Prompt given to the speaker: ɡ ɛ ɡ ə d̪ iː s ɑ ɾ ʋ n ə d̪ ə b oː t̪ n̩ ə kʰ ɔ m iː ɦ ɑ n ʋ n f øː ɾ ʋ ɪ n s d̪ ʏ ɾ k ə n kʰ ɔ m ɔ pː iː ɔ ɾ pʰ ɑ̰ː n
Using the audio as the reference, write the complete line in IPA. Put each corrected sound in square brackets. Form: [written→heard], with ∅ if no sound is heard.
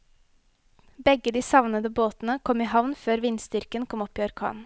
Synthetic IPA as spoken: [ɡ→b] ɛ ɡ ə d̪ iː s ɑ [ɾ→∅] ʋ n ə d̪ ə b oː t̪ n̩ ə kʰ ɔ m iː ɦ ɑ [n→∅] ʋ n f øː ɾ ʋ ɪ n s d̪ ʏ ɾ k ə n kʰ ɔ m ɔ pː iː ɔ ɾ [pʰ→kʰ] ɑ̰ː n